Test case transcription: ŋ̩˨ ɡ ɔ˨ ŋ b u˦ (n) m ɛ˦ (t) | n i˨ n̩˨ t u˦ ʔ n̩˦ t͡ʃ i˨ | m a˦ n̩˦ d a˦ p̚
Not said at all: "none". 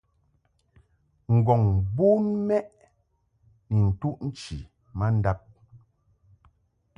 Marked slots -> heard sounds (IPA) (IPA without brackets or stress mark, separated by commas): n, ʔ